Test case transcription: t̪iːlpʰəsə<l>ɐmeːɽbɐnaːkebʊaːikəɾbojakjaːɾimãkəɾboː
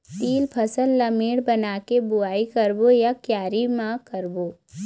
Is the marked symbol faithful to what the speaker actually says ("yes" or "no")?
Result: no